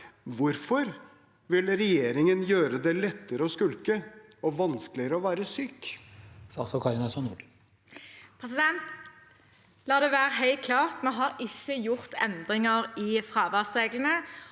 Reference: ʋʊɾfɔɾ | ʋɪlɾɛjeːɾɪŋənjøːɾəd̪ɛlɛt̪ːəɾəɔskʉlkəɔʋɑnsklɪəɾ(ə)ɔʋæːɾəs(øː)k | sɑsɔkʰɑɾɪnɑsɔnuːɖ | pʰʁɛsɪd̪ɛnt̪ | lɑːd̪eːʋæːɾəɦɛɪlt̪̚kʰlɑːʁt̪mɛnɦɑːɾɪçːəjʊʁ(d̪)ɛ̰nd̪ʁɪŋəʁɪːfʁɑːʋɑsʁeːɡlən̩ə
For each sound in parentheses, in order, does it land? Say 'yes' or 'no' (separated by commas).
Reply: yes, no, no